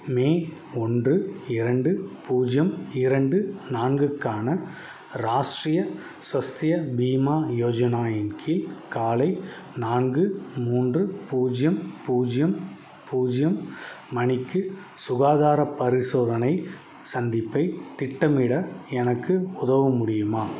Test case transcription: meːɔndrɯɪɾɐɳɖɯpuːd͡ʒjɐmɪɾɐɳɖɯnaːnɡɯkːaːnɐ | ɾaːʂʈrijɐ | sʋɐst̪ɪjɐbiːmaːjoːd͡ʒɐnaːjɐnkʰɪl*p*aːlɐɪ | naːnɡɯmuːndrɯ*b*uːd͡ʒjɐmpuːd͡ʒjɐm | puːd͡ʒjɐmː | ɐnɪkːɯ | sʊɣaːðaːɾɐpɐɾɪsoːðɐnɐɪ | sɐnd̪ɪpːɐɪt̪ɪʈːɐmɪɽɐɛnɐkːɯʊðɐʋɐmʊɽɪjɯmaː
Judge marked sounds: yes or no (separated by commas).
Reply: no, no